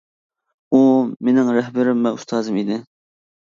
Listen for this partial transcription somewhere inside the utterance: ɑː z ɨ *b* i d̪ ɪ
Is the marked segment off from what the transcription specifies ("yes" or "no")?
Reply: yes